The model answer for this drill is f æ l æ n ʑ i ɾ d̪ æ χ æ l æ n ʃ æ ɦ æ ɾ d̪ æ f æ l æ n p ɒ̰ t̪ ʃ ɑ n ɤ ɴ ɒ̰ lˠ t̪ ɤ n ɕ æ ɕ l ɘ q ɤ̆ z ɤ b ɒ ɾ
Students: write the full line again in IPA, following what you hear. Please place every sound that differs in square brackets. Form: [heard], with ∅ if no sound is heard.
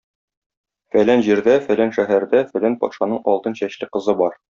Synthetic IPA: f æ l æ n ʑ i ɾ d̪ æ [f] æ l æ n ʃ æ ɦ æ ɾ d̪ æ f æ l æ n p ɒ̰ t̪ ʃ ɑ n ɤ ɴ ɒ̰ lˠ t̪ ɤ n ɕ æ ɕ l ɘ q ɤ̆ z ɤ b ɒ ɾ